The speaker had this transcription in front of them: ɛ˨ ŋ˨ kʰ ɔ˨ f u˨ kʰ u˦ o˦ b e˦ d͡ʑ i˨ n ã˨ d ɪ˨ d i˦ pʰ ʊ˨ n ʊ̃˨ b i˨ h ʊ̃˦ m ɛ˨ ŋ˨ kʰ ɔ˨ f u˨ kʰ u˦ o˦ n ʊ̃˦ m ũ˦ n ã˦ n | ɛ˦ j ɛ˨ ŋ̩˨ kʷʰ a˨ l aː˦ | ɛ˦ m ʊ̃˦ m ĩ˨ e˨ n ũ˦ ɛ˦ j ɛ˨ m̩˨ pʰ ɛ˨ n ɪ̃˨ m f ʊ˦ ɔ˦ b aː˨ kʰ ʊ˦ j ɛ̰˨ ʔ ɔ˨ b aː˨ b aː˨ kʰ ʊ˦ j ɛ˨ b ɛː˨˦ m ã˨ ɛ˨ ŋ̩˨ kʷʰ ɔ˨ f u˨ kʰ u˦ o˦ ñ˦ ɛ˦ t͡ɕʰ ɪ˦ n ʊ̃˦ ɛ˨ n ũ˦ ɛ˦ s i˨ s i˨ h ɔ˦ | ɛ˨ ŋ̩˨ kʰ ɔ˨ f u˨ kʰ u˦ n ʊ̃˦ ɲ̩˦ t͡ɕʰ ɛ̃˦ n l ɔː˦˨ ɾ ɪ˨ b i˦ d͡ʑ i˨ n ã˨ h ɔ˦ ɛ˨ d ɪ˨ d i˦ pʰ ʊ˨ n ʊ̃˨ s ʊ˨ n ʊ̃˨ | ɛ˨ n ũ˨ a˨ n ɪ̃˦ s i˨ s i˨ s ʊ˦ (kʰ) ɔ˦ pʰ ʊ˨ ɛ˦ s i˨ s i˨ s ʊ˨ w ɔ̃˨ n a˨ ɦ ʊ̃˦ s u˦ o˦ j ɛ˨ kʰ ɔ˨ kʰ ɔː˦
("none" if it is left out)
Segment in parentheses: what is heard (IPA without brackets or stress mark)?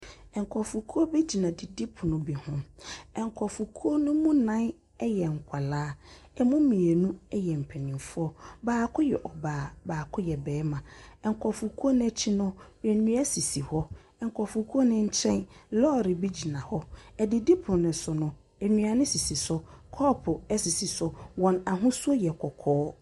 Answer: kʰ